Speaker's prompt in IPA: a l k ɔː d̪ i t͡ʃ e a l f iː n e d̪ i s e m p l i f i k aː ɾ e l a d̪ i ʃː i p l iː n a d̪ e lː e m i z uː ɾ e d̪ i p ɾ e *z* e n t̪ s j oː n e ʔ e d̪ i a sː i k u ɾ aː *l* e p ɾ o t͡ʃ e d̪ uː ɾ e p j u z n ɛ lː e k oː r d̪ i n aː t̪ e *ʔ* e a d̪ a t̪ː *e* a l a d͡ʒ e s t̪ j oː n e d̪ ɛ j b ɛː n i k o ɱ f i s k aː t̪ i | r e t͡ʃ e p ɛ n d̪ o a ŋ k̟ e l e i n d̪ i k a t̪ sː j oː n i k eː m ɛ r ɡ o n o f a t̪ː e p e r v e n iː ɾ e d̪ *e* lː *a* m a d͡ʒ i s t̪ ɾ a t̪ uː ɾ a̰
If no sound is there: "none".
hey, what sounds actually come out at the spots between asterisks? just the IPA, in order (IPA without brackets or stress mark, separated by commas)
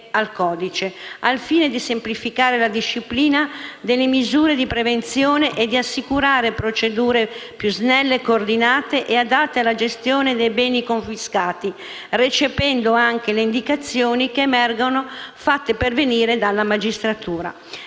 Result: v, ɾ, ʔ, e, a, a